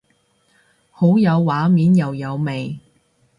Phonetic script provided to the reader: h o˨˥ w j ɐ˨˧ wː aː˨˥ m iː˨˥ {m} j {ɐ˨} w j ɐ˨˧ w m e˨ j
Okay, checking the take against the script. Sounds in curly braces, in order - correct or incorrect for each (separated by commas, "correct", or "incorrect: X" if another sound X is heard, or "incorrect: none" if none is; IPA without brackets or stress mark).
incorrect: n, correct